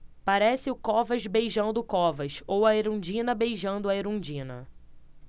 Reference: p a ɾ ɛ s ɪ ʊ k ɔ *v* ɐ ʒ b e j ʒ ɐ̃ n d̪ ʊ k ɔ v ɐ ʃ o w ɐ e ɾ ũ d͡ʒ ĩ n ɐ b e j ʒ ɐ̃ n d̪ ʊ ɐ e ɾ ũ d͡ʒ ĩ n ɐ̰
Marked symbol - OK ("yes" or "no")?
yes